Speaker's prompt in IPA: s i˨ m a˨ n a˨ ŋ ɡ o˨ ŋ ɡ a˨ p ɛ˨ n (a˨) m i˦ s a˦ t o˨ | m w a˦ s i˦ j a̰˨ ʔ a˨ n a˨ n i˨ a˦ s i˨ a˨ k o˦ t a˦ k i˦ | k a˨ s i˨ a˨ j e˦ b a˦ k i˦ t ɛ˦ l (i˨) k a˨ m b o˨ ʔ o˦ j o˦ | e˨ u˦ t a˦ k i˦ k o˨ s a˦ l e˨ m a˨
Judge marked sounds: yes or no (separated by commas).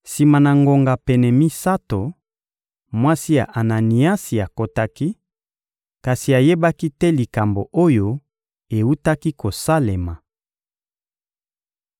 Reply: no, yes